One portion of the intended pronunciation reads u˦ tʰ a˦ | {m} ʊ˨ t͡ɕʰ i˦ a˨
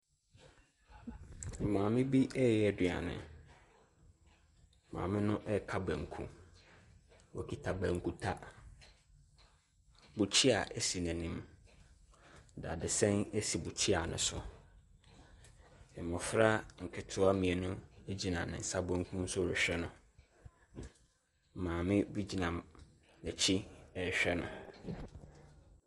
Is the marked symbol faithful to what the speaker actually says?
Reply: no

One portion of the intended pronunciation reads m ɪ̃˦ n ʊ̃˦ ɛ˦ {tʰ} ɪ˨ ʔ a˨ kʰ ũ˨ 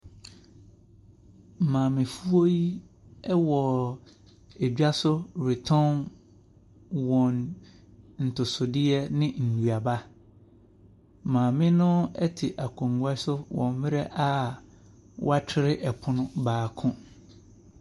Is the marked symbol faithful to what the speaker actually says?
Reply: yes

